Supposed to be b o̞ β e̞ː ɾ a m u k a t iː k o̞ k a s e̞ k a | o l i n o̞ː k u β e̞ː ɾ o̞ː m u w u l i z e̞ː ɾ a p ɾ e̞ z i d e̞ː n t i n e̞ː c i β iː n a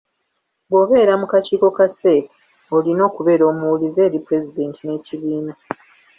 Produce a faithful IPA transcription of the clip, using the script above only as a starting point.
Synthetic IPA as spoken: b o̞ β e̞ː ɾ a m u k a c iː k o̞ k a s e̞ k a | o l i n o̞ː k u β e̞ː ɾ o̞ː m u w u l i z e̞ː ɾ i p ɾ e̞ z i d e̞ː n t i n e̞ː c i β iː n a

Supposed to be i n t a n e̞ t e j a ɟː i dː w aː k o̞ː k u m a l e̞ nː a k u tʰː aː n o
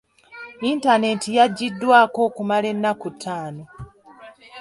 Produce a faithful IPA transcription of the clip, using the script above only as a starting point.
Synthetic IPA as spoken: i n t a n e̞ t i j a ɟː i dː w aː k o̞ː k u m a l e̞ nː a k u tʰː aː n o

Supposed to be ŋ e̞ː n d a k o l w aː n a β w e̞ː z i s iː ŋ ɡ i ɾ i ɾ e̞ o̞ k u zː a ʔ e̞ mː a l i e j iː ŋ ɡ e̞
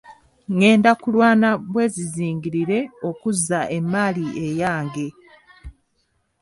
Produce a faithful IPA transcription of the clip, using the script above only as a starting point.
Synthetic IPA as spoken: ŋ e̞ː n d a k u l w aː n a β w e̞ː z i z iː ŋ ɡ i ɾ i ɾ e̞ o̞ k u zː a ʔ e̞ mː a l i e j aː ŋ ɡ e̞

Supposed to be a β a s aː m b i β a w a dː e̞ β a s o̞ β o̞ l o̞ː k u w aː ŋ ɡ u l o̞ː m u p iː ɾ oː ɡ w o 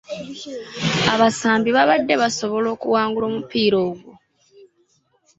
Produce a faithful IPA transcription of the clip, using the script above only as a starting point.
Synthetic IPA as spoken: a β a s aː m b i β a β a dː e̞ β a s o̞ β o̞ l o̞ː k u w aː ŋ ɡ u l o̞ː m u p iː ɾ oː ɡ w o

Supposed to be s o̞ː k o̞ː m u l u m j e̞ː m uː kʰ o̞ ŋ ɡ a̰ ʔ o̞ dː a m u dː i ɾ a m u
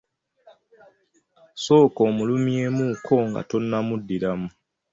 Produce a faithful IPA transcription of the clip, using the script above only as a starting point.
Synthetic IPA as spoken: s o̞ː k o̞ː m u l u m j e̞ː m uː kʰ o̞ ŋ ɡ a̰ t o̞ nː a m u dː i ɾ a m u

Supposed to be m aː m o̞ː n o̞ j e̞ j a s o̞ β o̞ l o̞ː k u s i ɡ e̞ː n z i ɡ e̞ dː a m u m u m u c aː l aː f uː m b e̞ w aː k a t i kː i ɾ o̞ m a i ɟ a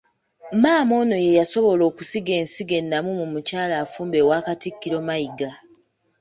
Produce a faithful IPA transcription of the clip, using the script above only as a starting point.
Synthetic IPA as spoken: m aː m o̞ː n o̞ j e̞ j a s o̞ β o̞ l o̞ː k u s i ɡ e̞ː n s i ɡ e̞ nː a m u m u m u c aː l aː f uː m b e̞ w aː k a t i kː i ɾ o̞ m a i ɡ a

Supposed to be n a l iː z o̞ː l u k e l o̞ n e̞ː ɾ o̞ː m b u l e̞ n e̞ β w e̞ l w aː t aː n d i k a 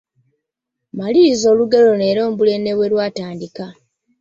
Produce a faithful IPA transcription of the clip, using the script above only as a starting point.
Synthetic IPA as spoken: m a l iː z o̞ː l u ɡ e l o̞ n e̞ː ɾ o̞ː m b u l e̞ n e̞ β w e̞ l w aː t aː n d i k a

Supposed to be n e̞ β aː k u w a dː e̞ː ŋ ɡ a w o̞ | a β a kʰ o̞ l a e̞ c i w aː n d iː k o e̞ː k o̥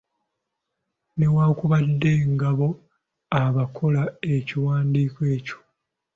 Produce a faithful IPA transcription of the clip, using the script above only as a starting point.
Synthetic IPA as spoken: n e̞ w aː k u β a dː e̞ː ŋ ɡ a β o̞ | a β a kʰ o̞ l a e̞ c i w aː n d iː k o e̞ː c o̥

